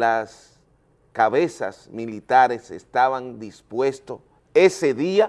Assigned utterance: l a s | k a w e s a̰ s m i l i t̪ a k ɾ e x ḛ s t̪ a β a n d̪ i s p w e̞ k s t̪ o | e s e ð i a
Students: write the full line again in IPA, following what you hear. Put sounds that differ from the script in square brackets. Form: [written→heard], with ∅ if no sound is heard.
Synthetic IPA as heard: l a s | k a [w→β] e s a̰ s m i l i t̪ a [k→∅] ɾ e [x→s] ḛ s t̪ a β a n d̪ i s p w e̞ [k→∅] s t̪ o | e s e ð i a